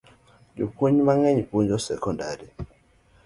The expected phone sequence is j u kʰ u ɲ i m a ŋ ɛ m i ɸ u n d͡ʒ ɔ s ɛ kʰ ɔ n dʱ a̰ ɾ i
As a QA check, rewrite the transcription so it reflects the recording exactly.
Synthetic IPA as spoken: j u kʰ u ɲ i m a ŋ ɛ ɲ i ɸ u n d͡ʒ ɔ s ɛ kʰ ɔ n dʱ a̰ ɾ i